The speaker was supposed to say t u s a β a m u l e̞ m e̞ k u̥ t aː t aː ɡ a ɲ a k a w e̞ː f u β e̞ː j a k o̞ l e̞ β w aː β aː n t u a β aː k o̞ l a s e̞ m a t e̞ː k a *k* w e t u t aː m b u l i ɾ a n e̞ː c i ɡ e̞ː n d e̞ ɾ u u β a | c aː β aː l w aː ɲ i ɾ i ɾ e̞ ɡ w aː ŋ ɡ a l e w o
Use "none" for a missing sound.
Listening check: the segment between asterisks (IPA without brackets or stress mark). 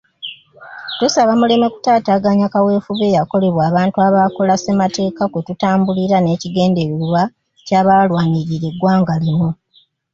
k